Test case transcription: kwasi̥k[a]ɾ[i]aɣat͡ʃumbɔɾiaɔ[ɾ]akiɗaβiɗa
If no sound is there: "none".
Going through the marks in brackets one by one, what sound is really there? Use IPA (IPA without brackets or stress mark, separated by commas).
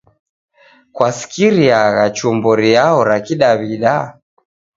i, i, ɾ